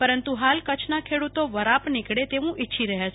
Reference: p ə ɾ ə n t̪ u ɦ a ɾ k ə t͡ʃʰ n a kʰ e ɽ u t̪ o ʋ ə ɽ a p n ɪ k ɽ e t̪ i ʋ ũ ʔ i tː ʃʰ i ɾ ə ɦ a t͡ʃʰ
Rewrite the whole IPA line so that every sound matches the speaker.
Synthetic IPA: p ə ɾ ə n t̪ u ɦ a l k ə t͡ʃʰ n a kʰ e ɽ u t̪ o ʋ ə ɾ a p n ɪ k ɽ e t̪ e ʋ ũ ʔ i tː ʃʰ i ɾ ə ɦ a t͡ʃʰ